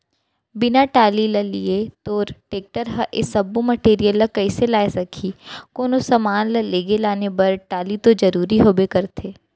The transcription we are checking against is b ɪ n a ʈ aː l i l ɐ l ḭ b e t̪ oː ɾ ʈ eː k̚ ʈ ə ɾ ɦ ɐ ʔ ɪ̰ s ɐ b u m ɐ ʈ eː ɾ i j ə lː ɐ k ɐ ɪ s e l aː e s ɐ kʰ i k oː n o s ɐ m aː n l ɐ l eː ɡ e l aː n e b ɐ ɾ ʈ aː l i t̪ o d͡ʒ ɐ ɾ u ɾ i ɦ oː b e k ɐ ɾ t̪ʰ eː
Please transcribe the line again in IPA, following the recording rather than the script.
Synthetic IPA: b ɪ n a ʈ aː l i l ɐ l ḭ e t̪ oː ɾ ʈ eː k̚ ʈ ə ɾ ɦ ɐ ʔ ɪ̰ s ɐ b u m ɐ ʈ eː ɾ i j ə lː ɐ k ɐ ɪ s e l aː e s ɐ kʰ i k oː n o s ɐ m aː n l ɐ l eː ɡ e l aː n e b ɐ ɾ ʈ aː l i t̪ o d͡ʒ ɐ ɾ uː ɾ i ɦ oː b e k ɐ ɾ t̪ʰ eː